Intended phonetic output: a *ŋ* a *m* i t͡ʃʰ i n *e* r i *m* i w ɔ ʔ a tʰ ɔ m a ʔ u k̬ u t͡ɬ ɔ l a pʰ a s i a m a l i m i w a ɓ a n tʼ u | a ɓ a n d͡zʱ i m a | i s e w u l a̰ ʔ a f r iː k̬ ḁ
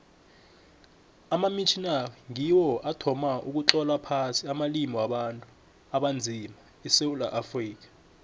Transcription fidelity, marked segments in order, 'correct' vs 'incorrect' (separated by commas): incorrect, correct, incorrect, incorrect